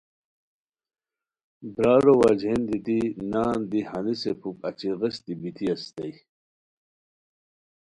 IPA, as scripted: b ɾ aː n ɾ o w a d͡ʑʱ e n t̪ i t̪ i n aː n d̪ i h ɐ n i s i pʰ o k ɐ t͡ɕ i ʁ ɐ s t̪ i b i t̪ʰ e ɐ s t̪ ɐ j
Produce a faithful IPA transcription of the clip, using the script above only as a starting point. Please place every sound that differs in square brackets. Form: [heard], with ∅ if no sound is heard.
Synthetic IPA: b ɾ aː [∅] ɾ o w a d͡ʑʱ e n [d̪] i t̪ i n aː n d̪ i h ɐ n i s [e] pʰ [u] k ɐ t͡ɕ i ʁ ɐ s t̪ i b i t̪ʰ [i] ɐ s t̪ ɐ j